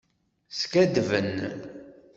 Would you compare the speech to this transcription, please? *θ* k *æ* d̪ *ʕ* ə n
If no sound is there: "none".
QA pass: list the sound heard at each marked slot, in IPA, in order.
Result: s, æ, v

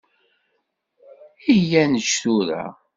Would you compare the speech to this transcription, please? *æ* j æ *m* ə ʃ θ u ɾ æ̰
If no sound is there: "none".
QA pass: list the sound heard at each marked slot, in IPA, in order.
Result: i, n

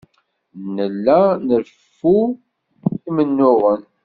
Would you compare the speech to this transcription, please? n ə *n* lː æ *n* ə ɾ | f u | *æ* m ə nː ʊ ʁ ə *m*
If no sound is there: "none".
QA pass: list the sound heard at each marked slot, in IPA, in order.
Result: none, n, i, n

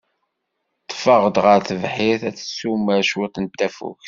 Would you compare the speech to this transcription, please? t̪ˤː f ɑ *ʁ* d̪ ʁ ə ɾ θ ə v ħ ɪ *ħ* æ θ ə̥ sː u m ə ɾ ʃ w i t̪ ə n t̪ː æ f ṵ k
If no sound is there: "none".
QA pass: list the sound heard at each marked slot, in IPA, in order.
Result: ʁ, θ

